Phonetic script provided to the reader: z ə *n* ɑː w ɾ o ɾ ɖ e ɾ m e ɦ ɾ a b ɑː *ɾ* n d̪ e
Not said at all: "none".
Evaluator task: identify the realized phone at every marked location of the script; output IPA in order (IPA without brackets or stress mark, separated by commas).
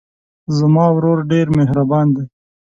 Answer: m, none